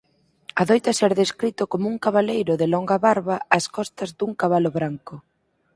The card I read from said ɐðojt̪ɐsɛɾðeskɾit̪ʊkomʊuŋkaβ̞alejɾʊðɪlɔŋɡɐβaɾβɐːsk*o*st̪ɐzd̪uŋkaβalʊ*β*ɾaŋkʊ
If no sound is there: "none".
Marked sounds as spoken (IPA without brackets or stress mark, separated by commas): ɔ, β